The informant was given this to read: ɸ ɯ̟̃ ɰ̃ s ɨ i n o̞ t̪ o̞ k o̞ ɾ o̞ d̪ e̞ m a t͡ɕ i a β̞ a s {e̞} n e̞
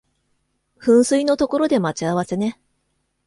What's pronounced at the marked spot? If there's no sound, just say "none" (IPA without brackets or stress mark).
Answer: e̞